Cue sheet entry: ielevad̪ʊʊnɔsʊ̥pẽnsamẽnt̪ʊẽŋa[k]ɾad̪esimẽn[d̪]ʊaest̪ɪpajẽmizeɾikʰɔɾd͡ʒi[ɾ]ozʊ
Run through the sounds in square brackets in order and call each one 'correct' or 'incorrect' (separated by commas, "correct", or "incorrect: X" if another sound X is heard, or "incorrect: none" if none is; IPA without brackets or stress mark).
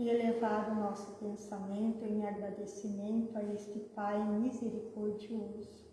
incorrect: ɡ, incorrect: t̪, incorrect: none